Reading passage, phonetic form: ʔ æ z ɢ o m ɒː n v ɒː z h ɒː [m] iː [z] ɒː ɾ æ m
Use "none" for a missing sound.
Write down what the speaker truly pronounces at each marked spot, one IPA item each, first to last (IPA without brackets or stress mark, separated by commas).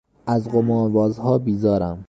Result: b, z